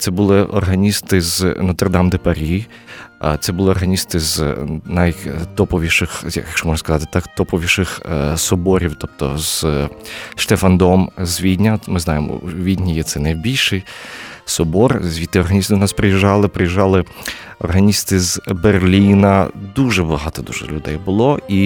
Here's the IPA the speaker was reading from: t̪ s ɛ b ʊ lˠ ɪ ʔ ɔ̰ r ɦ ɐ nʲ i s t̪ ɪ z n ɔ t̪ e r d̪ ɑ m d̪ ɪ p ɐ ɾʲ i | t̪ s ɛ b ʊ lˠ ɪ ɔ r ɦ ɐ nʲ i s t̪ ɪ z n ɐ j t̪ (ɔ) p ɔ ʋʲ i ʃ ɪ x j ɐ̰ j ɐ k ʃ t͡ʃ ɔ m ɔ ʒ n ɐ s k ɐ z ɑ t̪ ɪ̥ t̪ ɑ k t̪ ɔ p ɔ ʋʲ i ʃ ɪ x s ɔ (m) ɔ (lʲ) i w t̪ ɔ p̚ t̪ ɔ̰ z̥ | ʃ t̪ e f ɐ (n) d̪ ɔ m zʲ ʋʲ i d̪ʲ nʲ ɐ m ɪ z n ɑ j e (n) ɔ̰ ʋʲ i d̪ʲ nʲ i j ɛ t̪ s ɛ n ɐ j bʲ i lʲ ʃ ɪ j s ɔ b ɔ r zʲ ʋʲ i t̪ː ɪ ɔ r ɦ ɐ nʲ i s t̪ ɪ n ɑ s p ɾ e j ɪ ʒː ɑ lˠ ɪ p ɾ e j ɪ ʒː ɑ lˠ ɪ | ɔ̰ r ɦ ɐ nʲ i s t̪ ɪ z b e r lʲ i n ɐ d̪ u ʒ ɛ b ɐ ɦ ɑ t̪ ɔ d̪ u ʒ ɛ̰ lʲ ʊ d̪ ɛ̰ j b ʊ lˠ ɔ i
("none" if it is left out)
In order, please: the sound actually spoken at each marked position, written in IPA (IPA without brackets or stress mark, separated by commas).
ɔ, b, ɾʲ, n, m